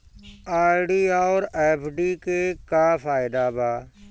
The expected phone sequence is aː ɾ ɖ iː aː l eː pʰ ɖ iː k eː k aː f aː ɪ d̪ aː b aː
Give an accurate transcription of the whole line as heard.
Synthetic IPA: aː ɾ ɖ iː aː ɾ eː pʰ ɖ iː k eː k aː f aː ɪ d̪ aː b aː